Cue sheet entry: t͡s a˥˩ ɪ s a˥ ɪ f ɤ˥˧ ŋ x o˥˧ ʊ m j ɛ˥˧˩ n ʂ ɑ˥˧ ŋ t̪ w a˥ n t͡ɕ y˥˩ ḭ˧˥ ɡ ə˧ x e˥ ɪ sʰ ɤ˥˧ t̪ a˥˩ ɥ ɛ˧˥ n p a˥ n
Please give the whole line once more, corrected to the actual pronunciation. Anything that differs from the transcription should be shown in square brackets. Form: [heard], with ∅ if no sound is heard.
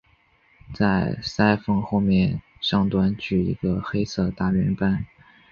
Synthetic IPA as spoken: t͡s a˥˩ ɪ s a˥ ɪ f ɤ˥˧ ŋ x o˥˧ ʊ m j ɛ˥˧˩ n ʂ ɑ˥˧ ŋ t̪ w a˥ n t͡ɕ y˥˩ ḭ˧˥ ɡ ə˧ x e˥ ɪ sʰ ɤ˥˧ t̪ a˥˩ ɥ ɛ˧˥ n p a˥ n